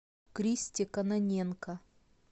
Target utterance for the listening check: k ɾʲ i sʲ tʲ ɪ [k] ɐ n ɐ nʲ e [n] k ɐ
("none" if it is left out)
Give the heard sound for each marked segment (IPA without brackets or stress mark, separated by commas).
k, n